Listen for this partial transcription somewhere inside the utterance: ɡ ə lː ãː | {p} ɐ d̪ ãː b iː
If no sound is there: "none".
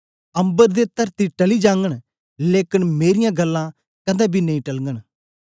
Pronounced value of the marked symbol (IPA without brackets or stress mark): k